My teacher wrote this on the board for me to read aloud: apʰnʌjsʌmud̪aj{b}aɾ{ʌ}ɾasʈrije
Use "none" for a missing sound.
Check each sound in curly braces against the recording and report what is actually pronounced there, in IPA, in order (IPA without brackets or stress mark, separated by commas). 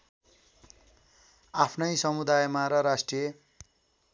m, ʌ